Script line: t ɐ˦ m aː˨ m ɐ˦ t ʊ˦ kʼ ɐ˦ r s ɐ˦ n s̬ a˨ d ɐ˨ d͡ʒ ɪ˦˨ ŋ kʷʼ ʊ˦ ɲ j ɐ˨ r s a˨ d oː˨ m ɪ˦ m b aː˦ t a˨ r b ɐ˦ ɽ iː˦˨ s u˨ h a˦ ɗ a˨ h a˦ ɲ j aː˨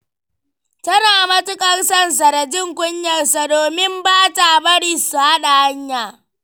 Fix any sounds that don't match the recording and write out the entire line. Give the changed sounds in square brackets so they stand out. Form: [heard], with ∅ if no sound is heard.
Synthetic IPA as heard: t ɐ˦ [n] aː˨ m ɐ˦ t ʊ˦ kʼ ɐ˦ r s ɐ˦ n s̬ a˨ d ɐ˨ d͡ʒ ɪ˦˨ ŋ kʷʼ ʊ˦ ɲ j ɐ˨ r s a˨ d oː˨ m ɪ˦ m b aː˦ t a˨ [∅] b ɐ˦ ɽ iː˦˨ s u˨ h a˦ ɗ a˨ h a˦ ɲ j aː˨